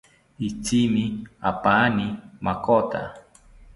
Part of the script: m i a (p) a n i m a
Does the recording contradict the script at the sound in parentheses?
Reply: no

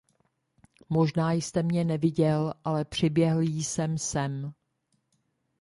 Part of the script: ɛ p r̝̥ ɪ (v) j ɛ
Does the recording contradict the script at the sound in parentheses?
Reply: yes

